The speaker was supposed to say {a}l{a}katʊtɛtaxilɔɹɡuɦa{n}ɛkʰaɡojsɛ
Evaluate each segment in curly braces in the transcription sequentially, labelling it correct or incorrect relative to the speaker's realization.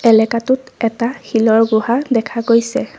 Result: incorrect, incorrect, incorrect

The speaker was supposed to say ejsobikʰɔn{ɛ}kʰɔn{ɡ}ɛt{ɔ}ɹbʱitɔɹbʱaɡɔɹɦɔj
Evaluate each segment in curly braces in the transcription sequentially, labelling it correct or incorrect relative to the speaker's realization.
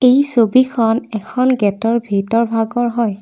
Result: correct, correct, correct

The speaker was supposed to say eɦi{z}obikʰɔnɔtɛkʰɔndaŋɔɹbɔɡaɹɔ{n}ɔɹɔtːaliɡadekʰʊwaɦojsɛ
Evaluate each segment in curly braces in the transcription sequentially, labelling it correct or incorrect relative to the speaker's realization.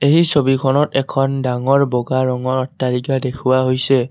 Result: incorrect, incorrect

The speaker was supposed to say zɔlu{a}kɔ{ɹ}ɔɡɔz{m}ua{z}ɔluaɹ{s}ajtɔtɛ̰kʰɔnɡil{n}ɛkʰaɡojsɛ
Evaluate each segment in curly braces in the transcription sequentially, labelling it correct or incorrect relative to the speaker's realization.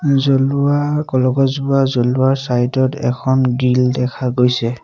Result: correct, incorrect, incorrect, correct, correct, incorrect

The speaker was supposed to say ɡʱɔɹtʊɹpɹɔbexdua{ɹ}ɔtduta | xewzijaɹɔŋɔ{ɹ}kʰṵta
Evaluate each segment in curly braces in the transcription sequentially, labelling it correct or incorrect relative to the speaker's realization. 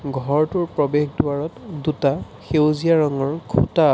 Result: correct, correct

